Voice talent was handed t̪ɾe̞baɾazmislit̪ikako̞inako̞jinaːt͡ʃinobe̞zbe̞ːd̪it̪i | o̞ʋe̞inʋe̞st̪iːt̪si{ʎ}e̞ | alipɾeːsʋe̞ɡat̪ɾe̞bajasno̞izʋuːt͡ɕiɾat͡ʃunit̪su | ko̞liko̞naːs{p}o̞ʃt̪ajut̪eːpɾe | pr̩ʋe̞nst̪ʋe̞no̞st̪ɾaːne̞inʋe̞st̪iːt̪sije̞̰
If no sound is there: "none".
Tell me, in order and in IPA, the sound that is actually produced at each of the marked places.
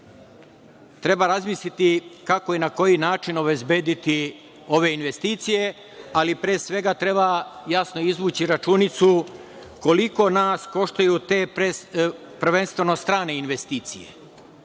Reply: j, k

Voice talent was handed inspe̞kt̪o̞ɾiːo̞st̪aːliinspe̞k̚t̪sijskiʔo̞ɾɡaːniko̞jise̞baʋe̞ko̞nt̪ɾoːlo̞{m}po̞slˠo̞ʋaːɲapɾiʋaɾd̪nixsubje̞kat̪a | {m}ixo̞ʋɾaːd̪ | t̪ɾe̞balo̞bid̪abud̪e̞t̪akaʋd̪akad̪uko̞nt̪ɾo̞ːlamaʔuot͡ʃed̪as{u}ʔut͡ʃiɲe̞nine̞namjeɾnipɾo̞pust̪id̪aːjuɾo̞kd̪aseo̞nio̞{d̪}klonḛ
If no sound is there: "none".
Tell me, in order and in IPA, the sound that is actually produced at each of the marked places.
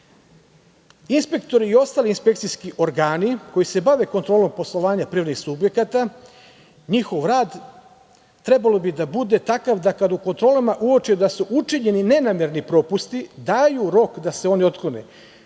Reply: m, ɲ, u, t̪

